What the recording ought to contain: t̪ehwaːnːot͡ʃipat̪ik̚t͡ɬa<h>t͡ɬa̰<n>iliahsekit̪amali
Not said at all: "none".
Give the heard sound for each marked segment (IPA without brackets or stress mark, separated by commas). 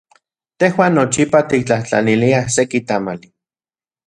h, n